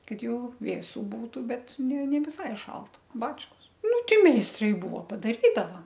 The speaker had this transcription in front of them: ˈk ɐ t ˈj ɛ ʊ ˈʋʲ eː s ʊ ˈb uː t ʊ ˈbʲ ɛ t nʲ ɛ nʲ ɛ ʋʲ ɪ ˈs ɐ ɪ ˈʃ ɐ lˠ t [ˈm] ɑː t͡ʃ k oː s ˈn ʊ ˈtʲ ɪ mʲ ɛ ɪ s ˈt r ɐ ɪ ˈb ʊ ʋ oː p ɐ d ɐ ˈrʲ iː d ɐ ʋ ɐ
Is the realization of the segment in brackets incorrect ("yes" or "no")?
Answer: yes